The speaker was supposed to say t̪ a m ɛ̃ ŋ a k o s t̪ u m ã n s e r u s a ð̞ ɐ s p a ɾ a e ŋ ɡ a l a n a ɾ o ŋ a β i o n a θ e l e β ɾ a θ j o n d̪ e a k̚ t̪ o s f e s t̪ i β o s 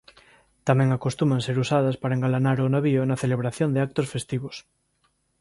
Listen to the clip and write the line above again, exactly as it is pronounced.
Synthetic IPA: t̪ a m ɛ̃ ŋ a k o s t̪ u m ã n s e ɾ u s a ð̞ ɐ s p a ɾ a e ŋ ɡ a l a n a ɾ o n a β i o n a θ e l e β ɾ a θ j o n d̪ e a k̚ t̪ o s f e s t̪ i β o s